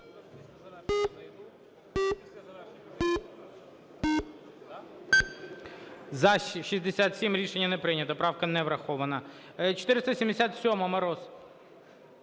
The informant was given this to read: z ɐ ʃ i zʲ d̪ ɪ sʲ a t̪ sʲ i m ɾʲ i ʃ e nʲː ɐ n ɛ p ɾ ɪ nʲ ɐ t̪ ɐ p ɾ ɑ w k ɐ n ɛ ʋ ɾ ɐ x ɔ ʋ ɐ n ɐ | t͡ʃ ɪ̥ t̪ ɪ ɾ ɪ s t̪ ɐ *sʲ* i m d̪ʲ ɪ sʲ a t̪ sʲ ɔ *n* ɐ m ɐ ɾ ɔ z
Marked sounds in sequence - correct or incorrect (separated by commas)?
correct, incorrect